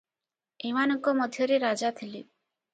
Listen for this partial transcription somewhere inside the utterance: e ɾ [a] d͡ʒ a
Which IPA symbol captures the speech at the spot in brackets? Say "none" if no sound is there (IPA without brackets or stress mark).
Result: a